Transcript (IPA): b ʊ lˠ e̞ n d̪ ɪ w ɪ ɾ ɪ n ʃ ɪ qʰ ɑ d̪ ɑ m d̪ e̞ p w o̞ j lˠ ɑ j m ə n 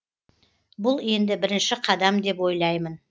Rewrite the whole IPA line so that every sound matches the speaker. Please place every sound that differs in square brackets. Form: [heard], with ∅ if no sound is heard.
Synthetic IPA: b ʊ lˠ e̞ n d̪ ɪ [b] ɪ ɾ ɪ n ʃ ɪ qʰ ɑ d̪ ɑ m d̪ e̞ p w o̞ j lˠ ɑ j m ə n